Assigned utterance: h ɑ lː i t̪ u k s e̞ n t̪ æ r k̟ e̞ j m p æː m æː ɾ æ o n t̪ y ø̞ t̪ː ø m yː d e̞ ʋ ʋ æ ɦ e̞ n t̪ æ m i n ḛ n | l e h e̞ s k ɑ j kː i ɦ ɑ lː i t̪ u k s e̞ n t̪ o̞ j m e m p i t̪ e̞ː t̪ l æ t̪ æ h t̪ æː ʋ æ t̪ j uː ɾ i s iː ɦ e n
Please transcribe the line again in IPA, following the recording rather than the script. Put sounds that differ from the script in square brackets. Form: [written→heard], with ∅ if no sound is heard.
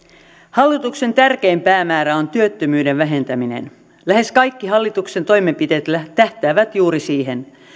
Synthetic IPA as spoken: h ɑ lː i t̪ u k s e̞ n t̪ æ r k̟ e̞ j m p æː m æː ɾ æ o n t̪ y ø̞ t̪ː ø m yː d e̞ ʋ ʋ æ ɦ e̞ n t̪ æ m i n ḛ n | l [e→æ] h e̞ s k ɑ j kː i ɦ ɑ lː i t̪ u k s e̞ n t̪ o̞ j m e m p i t̪ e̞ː t̪ l æ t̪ æ h t̪ æː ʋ æ t̪ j uː ɾ i s iː ɦ e n